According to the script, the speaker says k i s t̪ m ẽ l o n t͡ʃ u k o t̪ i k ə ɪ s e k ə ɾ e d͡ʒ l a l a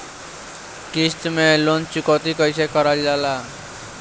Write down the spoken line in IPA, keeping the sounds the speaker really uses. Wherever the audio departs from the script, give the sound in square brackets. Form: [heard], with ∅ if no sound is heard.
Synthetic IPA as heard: k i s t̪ m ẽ l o n t͡ʃ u k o t̪ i k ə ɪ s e k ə ɾ [a] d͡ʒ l a l a